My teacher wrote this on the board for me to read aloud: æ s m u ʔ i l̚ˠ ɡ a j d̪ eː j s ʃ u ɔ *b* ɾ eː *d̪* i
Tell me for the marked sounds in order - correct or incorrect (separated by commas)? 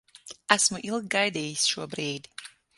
correct, correct